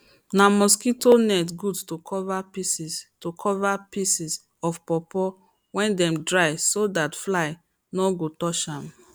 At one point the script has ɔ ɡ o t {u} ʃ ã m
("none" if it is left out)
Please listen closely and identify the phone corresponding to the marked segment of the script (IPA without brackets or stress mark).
ɔ